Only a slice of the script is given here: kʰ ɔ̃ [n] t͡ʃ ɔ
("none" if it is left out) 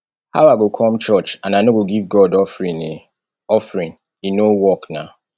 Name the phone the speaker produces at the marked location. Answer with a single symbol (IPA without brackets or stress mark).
m